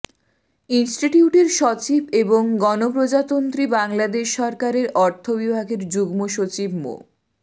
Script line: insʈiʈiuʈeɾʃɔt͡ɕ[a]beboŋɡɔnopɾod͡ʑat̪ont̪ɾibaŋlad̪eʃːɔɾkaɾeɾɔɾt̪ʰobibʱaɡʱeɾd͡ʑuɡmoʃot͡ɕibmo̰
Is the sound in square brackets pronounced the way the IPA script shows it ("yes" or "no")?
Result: no